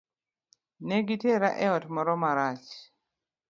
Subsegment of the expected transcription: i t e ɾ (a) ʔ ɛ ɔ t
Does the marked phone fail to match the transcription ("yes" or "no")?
no